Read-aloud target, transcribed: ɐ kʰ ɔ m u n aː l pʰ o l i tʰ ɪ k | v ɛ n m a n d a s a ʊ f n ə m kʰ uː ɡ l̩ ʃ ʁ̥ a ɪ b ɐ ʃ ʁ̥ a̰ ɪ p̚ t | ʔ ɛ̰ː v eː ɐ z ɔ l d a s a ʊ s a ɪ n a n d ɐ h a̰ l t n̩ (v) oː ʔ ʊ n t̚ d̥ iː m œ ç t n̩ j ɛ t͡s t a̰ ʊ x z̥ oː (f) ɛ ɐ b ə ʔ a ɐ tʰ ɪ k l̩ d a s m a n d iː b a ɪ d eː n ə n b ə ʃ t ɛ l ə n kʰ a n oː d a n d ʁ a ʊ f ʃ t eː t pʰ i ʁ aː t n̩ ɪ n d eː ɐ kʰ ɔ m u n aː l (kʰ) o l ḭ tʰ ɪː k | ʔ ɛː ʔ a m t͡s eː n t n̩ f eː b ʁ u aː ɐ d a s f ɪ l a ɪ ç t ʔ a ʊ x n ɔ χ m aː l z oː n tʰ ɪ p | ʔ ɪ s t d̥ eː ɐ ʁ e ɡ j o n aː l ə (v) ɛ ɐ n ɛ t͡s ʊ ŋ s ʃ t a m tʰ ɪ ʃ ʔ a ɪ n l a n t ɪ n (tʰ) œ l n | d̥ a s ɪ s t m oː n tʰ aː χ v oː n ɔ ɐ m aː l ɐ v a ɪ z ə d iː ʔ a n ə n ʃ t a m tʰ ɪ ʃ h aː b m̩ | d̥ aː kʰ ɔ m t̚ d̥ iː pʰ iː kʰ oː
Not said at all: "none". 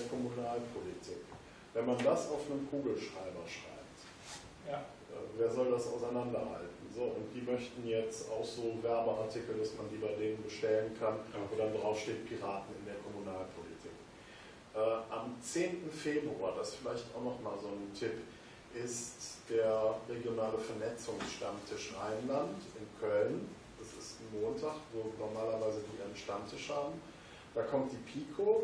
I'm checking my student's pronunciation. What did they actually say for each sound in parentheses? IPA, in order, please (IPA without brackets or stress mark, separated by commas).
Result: z, v, pʰ, f, kʰ